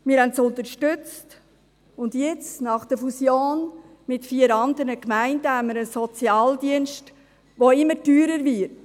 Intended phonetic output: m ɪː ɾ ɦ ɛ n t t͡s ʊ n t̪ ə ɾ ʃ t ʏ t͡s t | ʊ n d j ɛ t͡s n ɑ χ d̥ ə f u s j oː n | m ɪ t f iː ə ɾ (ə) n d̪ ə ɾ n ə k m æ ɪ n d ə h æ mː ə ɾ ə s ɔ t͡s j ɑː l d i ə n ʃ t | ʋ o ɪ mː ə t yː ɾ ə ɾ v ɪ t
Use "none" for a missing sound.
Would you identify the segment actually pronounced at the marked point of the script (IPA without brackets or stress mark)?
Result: ɑ